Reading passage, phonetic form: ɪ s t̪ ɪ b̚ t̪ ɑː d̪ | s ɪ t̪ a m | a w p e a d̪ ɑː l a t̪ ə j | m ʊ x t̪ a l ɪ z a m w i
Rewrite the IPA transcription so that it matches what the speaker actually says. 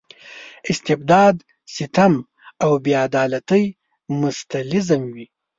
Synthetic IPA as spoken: ɪ s t̪ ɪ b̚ d̪ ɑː d̪ | s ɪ t̪ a m | a w b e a d̪ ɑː l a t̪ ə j | m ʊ s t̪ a l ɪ z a m w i

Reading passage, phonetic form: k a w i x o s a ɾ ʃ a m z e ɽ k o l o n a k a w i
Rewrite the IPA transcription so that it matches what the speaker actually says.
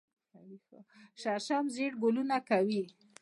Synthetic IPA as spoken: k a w i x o ʃ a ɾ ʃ a m z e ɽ ɡ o l u n a k a w i

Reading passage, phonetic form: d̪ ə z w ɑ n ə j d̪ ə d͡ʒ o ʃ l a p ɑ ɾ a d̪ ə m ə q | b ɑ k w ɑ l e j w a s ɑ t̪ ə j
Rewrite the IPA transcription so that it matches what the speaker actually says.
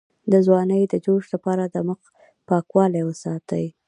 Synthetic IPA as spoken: d̪ ə z w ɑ n ə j d̪ ə d͡ʒ o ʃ l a p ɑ ɾ a d̪ ə m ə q | p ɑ k w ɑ l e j w ə s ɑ t̪ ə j

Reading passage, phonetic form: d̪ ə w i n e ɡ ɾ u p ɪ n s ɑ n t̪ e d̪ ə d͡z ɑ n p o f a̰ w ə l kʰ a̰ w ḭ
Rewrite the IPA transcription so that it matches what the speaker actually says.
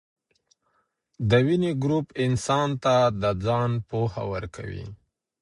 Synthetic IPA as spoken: d̪ ə w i n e ɡ ɾ u p ɪ n s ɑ n t̪ a d̪ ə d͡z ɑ n p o h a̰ w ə ɾ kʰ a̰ w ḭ

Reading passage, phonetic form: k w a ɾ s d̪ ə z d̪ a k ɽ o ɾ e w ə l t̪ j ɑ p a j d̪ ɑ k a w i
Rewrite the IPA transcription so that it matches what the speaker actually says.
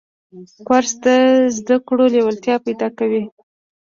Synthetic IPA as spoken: k w a ɾ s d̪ ə z d̪ a k ɽ o l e w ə l t̪ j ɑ p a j d̪ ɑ k a w i

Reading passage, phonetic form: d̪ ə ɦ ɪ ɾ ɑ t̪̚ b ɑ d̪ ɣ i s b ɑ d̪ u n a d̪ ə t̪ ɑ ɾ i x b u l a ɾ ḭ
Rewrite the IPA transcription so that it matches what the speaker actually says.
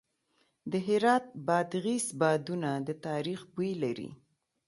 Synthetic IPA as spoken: d̪ ə ɦ ɪ ɾ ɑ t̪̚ b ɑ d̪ ɣ i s b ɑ d̪ u n a d̪ ə t̪ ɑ ɾ i x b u l a ɾ ḭ

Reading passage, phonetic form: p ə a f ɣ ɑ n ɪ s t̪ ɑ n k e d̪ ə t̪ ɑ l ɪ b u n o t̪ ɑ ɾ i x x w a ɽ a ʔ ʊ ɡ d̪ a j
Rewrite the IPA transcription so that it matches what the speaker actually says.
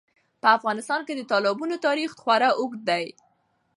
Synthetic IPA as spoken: p ə a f ɣ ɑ n ɪ s t̪ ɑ n k e d̪ ə t̪ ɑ l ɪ b u n o t̪ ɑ ɾ i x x w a ɾ a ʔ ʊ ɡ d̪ a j

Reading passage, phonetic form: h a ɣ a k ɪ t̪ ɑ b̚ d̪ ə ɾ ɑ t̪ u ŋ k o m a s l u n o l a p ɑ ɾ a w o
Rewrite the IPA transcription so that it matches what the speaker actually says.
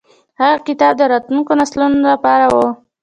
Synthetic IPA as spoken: h a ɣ a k ɪ t̪ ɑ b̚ d̪ ə ɾ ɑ t̪ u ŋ k o n a s l u n o l a p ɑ ɾ a w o

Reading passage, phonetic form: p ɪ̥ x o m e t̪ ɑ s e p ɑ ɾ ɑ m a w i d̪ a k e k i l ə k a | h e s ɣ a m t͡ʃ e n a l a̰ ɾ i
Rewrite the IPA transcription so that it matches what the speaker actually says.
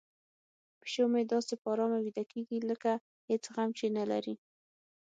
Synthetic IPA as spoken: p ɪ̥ ʃ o m e d̪ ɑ s e p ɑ ɾ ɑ m a w i d̪ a k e ɡ i l ə k a | h e t͡s ɣ a m t͡ʃ e n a l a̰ ɾ i

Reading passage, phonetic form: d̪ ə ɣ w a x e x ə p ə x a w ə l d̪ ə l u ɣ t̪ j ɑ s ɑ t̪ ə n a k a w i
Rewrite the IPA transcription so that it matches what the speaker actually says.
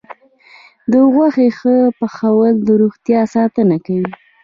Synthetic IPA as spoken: d̪ ə ɣ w a x e x ə p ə x a w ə l d̪ ə ɾ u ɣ t̪ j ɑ s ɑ t̪ ə n a k a w i

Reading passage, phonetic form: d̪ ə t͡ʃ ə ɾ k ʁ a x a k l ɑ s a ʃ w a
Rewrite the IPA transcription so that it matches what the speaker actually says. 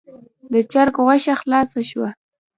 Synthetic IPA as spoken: d̪ ə t͡ʃ a ɾ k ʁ a ʃ a x l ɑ s a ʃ w a

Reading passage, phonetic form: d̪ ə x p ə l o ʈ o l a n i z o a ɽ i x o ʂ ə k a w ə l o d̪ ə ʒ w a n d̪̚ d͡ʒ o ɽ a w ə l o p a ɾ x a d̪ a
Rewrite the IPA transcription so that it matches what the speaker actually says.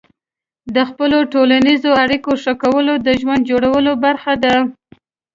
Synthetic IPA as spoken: d̪ ə x p ə l o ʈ o l a n i z o a ɽ i k o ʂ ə k a w ə l o d̪ ə ʒ w a n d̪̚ d͡ʒ o ɽ a w ə l o b a ɾ x a d̪ a

